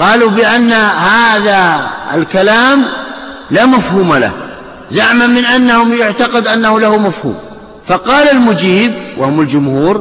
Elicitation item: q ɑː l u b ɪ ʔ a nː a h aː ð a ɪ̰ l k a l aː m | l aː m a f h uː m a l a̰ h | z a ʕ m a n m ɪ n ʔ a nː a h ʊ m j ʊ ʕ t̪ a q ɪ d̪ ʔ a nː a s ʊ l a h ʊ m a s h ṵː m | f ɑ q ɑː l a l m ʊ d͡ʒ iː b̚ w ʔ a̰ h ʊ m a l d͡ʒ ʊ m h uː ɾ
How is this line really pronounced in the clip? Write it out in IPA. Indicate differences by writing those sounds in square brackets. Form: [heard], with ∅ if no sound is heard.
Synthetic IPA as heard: q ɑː l u b ɪ ʔ a nː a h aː ð a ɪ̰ l k a l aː m | l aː m a f h uː m a l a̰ h | z a ʕ m a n m ɪ n ʔ a nː a h ʊ m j ʊ ʕ t̪ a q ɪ d̪ ʔ a nː a [h] ʊ l a h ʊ m a [f] h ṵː m | f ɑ q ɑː l a l m ʊ d͡ʒ iː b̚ w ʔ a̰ h ʊ m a l d͡ʒ ʊ m h uː ɾ